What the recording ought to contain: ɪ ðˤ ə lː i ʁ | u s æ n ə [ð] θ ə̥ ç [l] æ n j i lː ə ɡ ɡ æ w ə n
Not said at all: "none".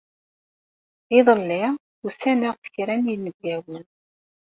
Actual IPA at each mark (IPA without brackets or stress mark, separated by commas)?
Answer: ʁ, ɾ